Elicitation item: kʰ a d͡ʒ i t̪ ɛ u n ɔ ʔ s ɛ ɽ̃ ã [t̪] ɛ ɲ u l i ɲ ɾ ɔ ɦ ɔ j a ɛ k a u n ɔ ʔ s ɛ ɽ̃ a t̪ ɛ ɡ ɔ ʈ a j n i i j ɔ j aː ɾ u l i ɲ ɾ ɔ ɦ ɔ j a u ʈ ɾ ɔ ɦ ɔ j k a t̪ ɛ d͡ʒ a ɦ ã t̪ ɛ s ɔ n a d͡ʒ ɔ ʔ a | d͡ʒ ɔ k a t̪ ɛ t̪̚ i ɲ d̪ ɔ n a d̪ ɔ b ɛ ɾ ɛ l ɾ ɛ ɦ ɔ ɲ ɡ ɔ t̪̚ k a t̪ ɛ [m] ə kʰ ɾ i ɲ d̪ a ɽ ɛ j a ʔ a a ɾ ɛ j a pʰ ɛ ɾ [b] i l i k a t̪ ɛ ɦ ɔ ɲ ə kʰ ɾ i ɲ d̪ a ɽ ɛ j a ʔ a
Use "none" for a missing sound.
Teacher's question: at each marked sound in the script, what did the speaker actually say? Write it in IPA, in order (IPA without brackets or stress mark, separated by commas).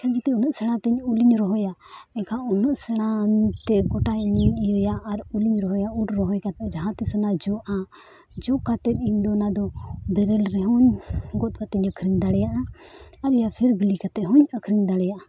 t̪, ɲ, b